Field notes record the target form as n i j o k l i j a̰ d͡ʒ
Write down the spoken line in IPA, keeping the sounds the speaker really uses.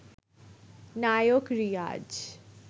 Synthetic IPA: n a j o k ɾ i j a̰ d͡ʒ